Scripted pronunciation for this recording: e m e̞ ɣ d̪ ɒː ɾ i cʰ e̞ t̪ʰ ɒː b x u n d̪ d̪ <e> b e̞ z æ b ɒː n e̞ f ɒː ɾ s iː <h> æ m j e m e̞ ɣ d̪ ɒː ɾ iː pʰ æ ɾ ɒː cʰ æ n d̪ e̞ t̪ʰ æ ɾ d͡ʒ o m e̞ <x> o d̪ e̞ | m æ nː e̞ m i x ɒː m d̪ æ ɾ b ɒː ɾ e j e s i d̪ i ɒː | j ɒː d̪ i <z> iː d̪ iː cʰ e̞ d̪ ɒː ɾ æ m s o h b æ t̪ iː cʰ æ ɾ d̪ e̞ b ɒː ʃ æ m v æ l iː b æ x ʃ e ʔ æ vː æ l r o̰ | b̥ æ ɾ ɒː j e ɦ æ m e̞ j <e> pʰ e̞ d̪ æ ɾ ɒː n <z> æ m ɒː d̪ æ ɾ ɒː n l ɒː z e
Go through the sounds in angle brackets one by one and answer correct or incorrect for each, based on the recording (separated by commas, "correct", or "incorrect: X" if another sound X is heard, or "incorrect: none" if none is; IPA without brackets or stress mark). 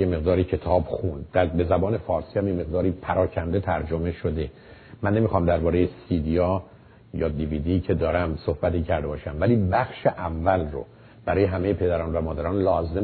incorrect: æ, correct, incorrect: ʃ, incorrect: v, correct, incorrect: v